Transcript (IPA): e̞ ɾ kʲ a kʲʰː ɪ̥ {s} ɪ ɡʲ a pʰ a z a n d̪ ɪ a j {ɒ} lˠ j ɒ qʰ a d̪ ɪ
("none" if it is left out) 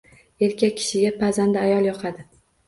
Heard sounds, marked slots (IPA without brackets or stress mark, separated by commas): ʃ, ɒ